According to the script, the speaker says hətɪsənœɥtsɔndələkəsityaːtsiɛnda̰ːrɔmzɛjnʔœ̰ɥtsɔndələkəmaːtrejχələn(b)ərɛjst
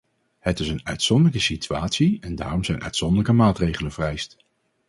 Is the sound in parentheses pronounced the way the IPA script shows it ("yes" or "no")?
no